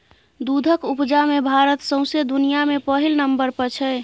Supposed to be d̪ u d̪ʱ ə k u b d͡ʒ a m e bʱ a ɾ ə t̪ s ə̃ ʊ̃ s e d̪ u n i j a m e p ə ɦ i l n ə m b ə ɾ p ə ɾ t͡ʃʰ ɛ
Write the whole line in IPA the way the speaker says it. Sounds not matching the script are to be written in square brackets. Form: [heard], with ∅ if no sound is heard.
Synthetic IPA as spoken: d̪ u d̪ʱ ə k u [p] d͡ʒ a m e bʱ a ɾ ə t̪ s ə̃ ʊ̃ s e d̪ u n i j a m e p ə ɦ i l n ə m b ə ɾ p ə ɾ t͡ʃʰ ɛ